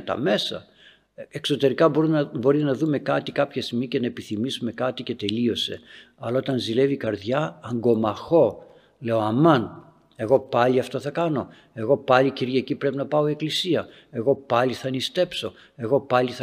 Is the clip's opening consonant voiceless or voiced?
voiceless